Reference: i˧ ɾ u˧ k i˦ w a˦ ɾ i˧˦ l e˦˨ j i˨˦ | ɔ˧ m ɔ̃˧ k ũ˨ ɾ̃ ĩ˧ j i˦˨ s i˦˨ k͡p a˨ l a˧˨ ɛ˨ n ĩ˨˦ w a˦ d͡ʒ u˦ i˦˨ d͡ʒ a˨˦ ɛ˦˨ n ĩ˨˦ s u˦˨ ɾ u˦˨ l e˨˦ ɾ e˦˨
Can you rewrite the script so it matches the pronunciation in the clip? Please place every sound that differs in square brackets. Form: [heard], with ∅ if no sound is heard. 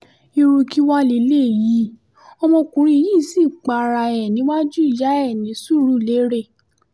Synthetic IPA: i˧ ɾ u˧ k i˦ w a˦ [l] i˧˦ l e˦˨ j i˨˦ | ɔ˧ m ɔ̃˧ k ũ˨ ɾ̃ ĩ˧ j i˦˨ s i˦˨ k͡p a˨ [ɾ] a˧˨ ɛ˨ n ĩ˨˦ w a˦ d͡ʒ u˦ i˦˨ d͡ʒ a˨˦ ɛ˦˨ n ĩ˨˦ s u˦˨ ɾ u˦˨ l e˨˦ ɾ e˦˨